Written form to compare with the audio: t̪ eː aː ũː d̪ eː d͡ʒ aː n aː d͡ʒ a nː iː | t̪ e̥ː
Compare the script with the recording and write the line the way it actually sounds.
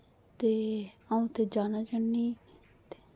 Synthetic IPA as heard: t̪ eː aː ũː t̪ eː d͡ʒ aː n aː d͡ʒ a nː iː | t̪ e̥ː